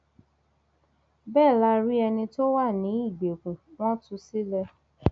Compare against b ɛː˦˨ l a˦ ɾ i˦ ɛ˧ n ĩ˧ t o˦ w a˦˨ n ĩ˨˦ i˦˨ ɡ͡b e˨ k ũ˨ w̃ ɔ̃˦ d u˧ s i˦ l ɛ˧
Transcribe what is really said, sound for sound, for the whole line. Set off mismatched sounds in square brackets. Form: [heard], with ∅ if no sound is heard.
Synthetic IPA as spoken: b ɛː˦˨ l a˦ ɾ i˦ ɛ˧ n ĩ˧ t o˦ w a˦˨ n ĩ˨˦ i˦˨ ɡ͡b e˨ k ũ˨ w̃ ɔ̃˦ [t] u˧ s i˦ l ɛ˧